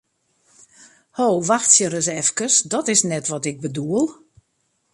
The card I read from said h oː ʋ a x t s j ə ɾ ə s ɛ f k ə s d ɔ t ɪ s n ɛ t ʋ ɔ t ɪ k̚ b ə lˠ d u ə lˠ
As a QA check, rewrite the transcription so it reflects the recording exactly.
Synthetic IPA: h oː ʋ a x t s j ə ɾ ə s ɛ f k ə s d ɔ t ɪ s n ɛ t ʋ ɔ t ɪ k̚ b ə d u ə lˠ